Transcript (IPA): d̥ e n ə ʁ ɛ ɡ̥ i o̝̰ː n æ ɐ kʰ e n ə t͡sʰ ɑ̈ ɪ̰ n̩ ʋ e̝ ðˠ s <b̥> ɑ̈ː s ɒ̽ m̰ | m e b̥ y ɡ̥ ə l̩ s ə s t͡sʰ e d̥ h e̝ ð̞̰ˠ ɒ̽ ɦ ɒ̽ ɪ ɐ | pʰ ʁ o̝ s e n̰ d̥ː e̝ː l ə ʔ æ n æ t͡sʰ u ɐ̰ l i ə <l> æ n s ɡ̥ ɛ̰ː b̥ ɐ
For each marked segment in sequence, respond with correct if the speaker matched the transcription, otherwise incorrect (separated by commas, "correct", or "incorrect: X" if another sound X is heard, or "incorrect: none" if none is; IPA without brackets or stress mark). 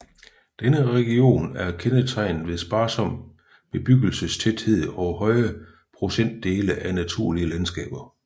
correct, correct